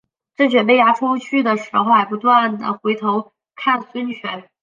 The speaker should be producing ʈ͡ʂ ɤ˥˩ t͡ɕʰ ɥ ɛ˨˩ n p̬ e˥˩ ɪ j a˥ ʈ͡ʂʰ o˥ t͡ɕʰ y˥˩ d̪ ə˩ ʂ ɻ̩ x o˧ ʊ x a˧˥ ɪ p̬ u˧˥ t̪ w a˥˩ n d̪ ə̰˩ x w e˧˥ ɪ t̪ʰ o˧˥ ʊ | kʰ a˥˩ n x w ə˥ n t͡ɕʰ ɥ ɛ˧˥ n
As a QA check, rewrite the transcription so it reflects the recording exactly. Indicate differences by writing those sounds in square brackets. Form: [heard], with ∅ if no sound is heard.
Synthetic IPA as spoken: ʈ͡ʂ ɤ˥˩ [t͡ɕ] ɥ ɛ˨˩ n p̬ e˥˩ ɪ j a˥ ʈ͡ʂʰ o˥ t͡ɕʰ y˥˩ d̪ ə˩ ʂ ɻ̩ x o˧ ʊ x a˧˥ ɪ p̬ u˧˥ t̪ w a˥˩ n d̪ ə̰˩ x w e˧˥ ɪ t̪ʰ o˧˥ ʊ | kʰ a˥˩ n [s] w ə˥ n t͡ɕʰ ɥ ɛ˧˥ n